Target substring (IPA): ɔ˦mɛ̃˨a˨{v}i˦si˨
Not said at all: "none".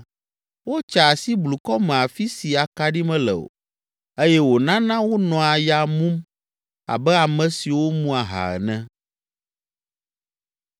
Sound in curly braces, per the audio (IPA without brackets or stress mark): f